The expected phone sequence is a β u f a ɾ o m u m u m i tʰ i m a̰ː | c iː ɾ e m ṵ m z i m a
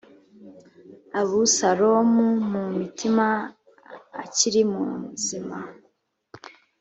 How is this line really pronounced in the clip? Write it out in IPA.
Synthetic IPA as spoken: a β u s a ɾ o m u m u m i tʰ i m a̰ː | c i ɾ i m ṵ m z i m a